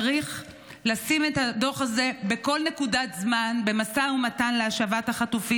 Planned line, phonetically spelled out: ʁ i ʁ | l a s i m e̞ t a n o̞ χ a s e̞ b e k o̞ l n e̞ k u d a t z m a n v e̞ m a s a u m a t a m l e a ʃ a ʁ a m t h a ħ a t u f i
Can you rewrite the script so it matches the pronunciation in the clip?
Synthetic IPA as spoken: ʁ i χ | l a s i m e̞ t a d o̞ χ a z e̞ b e k o̞ l n e̞ k u d a t z m a n b e̞ m a s a u m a t a n l e a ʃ a v a t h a χ a t u f i